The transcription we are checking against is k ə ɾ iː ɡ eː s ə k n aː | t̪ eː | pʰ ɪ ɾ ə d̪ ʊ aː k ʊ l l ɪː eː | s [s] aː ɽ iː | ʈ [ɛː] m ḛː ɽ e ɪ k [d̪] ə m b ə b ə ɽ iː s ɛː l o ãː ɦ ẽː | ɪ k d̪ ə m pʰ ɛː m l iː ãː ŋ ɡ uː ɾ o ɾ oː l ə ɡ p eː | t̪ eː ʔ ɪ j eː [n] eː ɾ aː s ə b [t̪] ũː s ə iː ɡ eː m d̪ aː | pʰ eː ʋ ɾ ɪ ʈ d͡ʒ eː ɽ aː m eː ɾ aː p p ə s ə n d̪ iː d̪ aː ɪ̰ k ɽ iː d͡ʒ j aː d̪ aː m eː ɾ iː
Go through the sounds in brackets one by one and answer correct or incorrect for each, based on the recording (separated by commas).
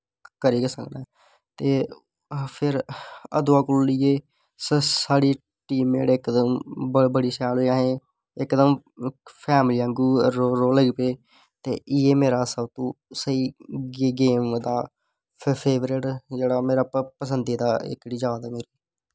correct, incorrect, correct, incorrect, correct